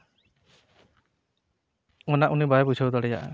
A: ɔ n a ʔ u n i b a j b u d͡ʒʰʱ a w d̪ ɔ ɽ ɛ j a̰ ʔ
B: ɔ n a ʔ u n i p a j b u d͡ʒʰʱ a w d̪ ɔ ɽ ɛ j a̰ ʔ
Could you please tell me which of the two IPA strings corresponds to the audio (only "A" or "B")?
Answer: A